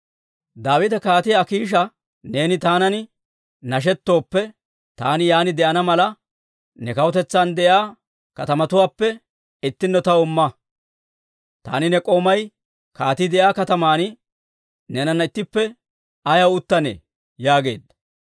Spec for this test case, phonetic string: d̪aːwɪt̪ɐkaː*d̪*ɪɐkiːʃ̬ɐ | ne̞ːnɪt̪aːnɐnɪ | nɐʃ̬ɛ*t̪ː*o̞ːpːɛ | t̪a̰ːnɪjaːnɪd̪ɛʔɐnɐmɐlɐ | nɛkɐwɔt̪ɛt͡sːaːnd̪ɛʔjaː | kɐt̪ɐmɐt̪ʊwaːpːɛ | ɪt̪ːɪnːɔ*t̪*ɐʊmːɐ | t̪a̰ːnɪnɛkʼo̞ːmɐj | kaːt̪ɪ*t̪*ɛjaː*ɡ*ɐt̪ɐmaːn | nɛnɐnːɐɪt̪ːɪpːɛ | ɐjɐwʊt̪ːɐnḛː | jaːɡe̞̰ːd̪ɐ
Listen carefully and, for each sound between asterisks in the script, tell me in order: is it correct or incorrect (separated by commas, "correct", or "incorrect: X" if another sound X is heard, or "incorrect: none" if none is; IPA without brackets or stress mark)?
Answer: incorrect: t̪, correct, correct, incorrect: d̪, incorrect: k